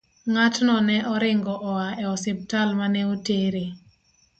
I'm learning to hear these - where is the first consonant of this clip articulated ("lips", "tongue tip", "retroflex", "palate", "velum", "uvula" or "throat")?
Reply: velum